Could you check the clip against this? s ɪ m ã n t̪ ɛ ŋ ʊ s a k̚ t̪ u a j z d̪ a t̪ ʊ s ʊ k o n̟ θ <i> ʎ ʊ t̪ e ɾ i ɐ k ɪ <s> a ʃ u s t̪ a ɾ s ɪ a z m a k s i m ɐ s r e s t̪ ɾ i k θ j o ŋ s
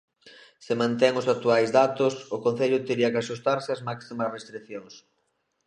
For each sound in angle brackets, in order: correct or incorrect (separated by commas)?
incorrect, incorrect